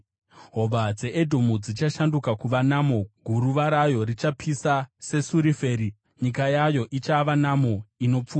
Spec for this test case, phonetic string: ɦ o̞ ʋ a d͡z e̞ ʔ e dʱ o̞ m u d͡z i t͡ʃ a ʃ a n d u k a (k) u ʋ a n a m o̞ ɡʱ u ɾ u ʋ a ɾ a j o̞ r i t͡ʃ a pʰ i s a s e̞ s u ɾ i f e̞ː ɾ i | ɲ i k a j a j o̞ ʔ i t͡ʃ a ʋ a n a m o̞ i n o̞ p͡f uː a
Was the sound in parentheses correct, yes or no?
yes